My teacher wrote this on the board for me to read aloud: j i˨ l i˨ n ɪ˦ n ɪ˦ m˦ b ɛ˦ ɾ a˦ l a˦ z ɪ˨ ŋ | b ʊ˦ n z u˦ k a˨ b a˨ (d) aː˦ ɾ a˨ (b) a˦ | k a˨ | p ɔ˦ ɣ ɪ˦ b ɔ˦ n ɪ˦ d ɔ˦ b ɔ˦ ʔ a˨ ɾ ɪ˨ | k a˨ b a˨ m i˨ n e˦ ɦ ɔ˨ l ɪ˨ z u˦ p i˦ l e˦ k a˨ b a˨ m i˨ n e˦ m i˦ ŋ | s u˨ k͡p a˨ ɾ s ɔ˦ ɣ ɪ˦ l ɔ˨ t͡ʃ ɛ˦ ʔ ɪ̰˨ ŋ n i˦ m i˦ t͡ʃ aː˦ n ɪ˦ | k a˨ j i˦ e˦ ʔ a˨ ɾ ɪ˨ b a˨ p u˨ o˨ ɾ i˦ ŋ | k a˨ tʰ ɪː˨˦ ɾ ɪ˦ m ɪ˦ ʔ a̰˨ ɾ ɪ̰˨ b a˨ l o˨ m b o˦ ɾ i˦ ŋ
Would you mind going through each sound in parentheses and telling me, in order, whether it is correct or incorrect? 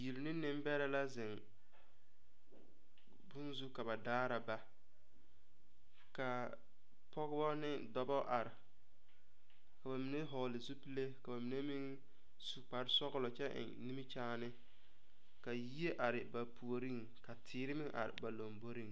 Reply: correct, correct

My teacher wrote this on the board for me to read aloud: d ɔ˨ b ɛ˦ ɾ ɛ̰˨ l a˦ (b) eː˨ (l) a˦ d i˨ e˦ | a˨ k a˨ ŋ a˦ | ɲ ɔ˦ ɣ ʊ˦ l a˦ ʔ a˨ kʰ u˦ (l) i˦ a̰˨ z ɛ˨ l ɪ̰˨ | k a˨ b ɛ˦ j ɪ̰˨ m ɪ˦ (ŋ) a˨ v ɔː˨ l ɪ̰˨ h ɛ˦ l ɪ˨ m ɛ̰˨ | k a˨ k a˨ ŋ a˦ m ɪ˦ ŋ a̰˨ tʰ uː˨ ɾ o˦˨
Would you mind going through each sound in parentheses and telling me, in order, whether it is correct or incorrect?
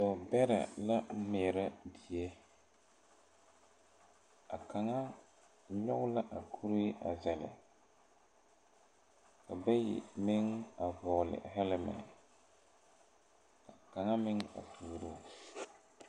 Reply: incorrect: m, incorrect: ɾ, incorrect: ɾ, correct

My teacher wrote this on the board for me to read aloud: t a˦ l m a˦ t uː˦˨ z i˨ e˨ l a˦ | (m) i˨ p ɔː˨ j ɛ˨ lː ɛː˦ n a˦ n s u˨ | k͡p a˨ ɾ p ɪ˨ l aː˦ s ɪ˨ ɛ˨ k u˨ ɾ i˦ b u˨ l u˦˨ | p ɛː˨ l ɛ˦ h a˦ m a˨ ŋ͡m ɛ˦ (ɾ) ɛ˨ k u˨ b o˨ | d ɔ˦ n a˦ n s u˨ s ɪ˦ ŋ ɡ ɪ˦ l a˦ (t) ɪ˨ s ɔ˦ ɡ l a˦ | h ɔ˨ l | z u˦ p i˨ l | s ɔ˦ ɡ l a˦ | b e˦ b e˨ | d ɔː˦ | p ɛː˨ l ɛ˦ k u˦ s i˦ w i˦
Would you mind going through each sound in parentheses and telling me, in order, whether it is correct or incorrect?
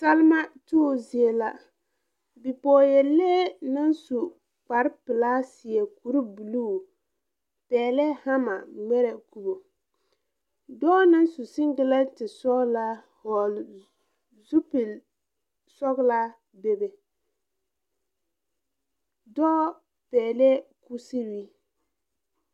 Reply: incorrect: b, correct, correct

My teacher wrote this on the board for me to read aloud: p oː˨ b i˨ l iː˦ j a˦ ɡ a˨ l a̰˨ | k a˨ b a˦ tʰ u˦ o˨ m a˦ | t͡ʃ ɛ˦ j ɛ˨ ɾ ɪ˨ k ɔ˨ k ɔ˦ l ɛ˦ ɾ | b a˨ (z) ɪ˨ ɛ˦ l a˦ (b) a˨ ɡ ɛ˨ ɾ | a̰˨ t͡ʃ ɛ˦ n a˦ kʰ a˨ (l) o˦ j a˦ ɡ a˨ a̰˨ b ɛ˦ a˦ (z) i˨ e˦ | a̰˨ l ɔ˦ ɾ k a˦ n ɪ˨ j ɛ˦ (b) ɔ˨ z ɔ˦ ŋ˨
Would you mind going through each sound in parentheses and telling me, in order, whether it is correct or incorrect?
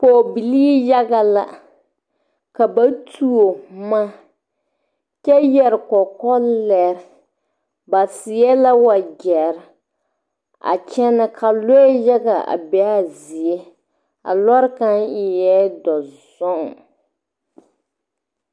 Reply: incorrect: s, incorrect: w, correct, correct, incorrect: d

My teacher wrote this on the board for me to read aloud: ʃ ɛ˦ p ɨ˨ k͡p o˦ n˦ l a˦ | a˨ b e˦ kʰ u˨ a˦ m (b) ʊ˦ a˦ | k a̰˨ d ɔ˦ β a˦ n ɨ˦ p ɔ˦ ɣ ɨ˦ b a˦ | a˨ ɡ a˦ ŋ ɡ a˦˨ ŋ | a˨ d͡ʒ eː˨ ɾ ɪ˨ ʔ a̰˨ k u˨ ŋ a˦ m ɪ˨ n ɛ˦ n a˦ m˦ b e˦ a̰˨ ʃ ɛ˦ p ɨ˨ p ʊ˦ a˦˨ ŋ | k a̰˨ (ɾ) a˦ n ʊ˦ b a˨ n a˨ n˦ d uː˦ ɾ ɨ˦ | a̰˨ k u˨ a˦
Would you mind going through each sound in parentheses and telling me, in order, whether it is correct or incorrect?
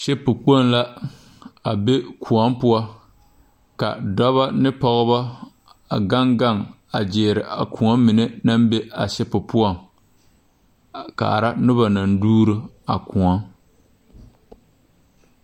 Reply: incorrect: p, correct

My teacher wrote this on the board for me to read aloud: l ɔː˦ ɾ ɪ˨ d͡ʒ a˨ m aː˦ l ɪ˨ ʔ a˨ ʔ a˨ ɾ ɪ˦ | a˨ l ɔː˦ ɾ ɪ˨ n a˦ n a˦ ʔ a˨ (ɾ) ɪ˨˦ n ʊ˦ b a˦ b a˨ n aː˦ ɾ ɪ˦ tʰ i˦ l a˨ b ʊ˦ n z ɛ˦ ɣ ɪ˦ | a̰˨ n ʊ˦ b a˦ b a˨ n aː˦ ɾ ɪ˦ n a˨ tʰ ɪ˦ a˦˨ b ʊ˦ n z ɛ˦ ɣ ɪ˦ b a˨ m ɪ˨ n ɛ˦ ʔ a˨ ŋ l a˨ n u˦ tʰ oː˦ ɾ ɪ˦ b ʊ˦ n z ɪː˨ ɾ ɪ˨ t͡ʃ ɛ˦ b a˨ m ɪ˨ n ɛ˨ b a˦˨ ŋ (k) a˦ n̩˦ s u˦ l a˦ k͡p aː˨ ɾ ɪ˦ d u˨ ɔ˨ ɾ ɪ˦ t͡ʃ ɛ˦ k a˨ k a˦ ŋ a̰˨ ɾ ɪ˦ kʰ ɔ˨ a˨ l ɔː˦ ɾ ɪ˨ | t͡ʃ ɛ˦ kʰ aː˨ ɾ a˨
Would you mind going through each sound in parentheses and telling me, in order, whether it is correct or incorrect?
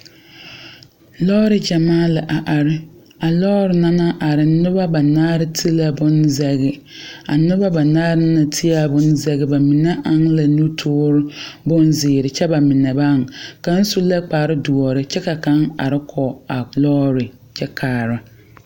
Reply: correct, correct

